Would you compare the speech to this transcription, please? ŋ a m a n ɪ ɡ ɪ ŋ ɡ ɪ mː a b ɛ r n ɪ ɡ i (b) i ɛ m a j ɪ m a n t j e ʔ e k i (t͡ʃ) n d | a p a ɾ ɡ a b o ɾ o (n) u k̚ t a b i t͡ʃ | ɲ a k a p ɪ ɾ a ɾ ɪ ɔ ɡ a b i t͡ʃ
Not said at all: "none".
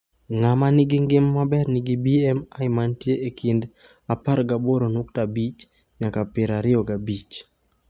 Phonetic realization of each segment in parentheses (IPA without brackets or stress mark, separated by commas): b, none, n